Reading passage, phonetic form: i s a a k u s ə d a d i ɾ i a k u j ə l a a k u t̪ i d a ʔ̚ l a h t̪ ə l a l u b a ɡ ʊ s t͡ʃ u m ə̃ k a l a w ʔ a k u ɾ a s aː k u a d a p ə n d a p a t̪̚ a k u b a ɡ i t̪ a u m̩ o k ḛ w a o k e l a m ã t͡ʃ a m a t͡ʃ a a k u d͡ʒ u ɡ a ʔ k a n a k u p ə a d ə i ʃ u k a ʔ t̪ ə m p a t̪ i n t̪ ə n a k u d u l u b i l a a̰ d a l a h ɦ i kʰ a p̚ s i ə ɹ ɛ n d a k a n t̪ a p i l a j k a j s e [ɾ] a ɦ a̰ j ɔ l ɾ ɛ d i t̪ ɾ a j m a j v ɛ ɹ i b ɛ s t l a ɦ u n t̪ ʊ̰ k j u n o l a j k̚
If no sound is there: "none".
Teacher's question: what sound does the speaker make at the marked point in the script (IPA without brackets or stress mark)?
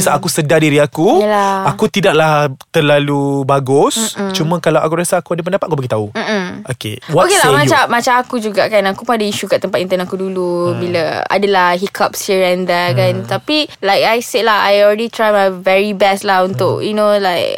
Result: l